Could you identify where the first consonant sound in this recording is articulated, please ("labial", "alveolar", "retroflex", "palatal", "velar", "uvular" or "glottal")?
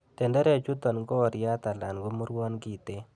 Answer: alveolar